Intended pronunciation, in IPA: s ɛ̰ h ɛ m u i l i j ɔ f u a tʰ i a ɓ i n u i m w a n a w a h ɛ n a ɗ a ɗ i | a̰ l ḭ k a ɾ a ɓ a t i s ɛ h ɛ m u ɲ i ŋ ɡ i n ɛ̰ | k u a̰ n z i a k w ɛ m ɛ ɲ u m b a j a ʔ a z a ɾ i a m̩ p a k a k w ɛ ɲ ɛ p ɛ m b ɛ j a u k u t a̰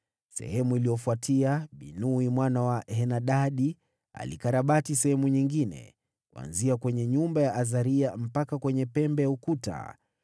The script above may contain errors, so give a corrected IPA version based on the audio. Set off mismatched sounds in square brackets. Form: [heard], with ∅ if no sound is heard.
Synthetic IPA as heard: s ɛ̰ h ɛ m u i l i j ɔ f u a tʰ i a ɓ i n u i m w a n a w a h ɛ n a ɗ a ɗ i | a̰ l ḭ k a ɾ a ɓ a t i s ɛ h ɛ m u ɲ i ŋ ɡ i n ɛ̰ | k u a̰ n z i a k w ɛ [ɲ] ɛ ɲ u m b a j a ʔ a z a ɾ i a m̩ p a k a k w ɛ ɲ ɛ p ɛ m b ɛ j a u k u t a̰